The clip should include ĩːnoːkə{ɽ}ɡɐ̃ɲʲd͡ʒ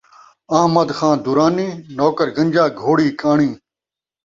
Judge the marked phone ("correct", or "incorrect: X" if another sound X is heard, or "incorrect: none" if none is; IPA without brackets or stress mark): incorrect: ɾ